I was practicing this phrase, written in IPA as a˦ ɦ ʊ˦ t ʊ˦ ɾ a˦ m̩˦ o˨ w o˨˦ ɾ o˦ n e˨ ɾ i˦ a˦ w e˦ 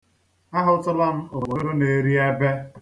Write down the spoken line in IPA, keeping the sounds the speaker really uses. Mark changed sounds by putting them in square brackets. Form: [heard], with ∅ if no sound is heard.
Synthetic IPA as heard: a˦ ɦ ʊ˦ t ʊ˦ [l] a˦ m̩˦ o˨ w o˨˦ ɾ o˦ n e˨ ɾ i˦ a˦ [b] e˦